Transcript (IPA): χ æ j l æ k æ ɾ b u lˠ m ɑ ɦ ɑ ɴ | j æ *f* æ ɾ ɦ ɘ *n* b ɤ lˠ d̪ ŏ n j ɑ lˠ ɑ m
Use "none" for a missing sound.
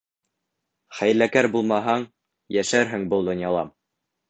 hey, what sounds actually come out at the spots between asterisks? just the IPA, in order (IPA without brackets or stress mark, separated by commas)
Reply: ʃ, ŋ